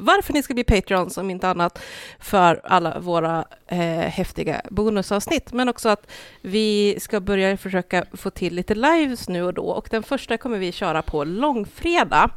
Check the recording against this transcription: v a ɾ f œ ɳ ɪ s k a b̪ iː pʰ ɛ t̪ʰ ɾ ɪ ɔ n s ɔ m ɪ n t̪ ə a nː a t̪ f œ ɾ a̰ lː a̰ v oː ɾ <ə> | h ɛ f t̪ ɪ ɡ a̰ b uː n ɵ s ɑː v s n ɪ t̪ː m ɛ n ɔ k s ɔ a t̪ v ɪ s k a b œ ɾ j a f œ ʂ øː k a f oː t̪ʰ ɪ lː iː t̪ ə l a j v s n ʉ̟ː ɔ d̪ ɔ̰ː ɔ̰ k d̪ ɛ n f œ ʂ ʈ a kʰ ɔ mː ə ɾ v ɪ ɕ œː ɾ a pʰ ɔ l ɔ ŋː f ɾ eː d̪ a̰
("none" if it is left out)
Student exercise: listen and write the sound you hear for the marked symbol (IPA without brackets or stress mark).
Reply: a